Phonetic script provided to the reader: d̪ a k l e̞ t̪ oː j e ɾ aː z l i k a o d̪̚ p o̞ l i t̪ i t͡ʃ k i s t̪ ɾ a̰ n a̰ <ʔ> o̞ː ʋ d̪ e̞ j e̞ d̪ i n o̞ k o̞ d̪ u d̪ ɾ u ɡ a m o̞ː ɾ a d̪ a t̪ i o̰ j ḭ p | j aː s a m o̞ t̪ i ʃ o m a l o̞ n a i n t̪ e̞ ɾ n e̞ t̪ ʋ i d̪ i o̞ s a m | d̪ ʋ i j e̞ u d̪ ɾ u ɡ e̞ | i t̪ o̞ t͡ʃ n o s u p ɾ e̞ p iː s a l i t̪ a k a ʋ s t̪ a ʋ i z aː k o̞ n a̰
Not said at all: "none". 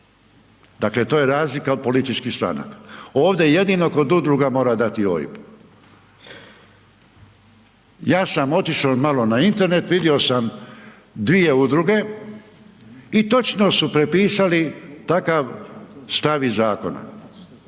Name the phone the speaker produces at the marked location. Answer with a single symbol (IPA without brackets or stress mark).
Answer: k